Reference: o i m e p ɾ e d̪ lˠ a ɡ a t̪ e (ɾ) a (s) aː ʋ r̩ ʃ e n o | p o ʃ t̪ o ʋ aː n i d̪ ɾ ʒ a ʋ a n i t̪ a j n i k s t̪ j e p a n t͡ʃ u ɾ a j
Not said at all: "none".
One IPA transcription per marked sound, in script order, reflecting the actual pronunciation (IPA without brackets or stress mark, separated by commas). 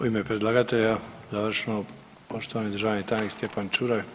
ʎ, z